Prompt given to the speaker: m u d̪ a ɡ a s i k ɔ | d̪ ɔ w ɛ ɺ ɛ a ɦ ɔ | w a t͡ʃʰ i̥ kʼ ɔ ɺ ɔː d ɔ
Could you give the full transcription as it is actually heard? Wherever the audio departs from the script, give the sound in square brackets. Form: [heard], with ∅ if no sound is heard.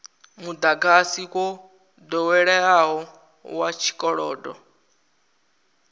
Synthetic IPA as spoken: m u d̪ a ɡ a s i k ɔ | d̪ ɔ w ɛ ɺ ɛ a ɦ ɔ | w a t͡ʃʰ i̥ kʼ ɔ ɺ ɔː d ɔ